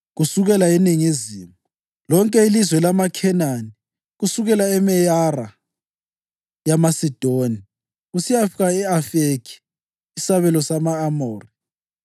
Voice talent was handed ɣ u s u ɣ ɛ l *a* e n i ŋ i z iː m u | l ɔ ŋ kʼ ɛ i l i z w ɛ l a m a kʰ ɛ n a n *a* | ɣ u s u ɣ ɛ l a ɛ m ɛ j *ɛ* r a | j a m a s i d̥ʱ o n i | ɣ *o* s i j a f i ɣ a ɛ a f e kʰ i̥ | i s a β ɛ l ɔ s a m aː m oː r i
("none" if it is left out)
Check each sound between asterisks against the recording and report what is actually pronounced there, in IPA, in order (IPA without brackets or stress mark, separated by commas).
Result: a, i, a, u